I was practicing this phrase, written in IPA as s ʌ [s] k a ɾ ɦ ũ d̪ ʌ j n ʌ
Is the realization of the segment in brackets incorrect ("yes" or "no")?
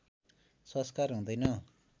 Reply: no